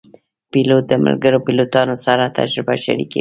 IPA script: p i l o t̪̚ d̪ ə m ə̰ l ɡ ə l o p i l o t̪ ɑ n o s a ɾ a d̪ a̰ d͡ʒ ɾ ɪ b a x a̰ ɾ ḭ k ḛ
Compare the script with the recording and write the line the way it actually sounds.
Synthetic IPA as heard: p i l o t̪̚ d̪ ə m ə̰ l ɡ ə ɾ o p i l o t̪ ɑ n o s a ɾ a t̪ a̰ d͡ʒ ɾ ɪ b a ʃ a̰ ɾ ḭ k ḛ